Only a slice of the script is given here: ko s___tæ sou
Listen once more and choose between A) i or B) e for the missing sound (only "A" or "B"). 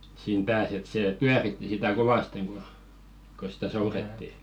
A